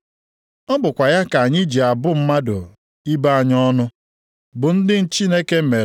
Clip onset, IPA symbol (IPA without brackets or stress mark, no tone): ɔ